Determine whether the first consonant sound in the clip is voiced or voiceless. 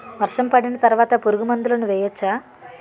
voiced